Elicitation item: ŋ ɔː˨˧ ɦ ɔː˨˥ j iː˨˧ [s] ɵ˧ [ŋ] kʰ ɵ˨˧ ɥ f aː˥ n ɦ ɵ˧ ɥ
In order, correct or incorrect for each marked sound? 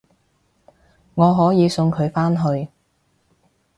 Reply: correct, correct

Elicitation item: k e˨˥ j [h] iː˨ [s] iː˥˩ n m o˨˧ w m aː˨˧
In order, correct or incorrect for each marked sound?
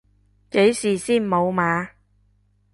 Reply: incorrect, correct

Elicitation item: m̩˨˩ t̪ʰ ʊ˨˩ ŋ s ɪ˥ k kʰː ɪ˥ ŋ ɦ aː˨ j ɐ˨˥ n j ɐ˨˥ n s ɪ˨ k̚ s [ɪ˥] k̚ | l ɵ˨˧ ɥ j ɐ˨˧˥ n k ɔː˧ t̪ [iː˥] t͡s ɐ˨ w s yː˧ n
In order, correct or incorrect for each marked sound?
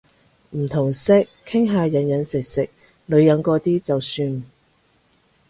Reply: incorrect, correct

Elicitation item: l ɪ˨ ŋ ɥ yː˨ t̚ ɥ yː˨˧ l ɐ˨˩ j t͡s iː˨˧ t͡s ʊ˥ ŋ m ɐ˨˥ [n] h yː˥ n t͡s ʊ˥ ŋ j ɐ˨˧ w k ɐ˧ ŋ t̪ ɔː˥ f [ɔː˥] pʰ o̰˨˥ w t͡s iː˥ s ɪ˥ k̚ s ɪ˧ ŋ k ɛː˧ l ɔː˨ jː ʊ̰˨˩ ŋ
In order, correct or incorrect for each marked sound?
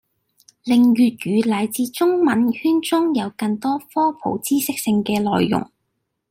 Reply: correct, correct

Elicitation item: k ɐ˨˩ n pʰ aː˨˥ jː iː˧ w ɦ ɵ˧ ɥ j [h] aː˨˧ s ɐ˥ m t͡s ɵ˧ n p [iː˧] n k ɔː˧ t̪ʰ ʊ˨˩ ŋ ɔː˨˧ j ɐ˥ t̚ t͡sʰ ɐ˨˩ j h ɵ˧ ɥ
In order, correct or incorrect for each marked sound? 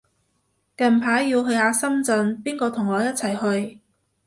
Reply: correct, incorrect

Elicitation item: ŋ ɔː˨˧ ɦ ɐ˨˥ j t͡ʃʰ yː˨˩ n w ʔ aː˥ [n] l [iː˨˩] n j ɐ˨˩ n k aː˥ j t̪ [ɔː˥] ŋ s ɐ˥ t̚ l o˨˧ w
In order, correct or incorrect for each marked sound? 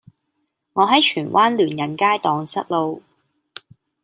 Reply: correct, incorrect, incorrect

